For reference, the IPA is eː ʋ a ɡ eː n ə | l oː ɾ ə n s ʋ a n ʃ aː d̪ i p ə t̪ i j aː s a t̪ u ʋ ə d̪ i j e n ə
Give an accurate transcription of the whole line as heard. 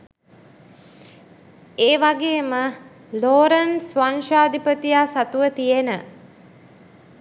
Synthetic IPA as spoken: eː ʋ a ɡ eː m ə | l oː ɾ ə n s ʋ a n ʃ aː d̪ i p ə t̪ i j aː s a t̪ u ʋ ə t̪ i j e n ə